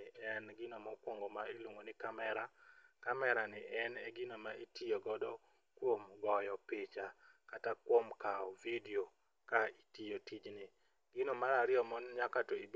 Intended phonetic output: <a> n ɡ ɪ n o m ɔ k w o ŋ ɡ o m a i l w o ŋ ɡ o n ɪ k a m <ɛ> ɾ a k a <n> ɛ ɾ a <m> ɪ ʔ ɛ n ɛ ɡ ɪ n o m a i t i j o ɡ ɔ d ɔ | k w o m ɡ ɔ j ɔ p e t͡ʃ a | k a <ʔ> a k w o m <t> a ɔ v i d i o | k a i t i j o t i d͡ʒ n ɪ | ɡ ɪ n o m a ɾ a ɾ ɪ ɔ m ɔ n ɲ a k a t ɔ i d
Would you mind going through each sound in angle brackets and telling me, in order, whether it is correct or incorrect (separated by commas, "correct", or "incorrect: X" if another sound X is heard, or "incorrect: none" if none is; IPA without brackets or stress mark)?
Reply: incorrect: ɛ, correct, incorrect: m, incorrect: n, incorrect: t, incorrect: k